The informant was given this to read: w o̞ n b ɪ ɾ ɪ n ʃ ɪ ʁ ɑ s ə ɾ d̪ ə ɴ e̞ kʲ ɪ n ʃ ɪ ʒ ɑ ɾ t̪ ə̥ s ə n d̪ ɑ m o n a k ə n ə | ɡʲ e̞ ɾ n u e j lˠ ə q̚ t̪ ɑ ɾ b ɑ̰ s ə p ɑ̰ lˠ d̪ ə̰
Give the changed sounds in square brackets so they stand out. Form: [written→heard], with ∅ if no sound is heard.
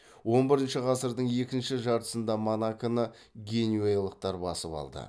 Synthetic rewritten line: w o̞ n b ɪ ɾ ɪ n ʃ ɪ ʁ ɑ s ə ɾ d̪ ə ɴ e̞ kʲ ɪ n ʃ ɪ ʒ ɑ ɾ t̪ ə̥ s ə n d̪ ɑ m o n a k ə n ə | ɡʲ e̞ [ɾ→∅] n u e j lˠ ə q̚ t̪ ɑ ɾ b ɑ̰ s ə p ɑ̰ lˠ d̪ ə̰

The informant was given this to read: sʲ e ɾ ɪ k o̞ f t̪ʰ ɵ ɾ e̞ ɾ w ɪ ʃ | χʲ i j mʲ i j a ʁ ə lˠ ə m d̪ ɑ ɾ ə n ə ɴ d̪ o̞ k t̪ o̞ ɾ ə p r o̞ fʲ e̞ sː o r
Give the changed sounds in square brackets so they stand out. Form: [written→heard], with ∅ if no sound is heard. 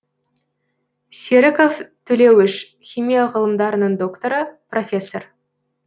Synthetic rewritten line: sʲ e ɾ ɪ k o̞ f t̪ʰ ɵ [ɾ→l] e̞ [ɾ→∅] w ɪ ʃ | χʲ i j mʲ i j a ʁ ə lˠ ə m d̪ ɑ ɾ ə n ə ɴ d̪ o̞ k t̪ o̞ ɾ ə p r o̞ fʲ e̞ sː o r

